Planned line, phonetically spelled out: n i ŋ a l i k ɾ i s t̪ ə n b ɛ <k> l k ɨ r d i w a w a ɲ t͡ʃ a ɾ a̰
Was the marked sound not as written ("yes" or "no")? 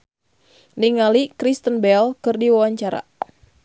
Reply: yes